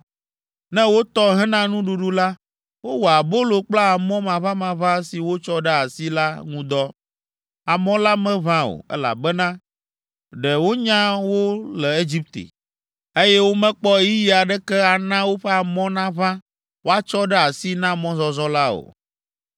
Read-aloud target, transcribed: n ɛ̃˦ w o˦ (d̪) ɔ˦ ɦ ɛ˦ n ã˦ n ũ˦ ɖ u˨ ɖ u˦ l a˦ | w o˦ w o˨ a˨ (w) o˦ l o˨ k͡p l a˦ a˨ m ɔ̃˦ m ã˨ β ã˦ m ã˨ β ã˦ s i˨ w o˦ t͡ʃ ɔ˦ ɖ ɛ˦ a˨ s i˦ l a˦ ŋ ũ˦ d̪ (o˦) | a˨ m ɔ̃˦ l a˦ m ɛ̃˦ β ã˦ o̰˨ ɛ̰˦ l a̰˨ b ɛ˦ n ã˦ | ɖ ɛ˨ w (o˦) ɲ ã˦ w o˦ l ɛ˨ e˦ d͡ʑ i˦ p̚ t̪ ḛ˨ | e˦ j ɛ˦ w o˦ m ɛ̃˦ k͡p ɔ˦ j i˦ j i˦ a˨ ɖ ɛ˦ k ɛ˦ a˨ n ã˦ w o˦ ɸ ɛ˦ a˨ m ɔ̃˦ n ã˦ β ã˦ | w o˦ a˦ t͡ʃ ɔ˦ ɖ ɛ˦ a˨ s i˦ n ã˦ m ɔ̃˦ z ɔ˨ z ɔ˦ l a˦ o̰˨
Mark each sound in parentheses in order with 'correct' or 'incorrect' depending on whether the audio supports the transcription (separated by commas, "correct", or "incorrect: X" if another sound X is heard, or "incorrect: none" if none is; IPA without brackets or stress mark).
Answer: incorrect: t̪, incorrect: b, incorrect: ɔ˦, correct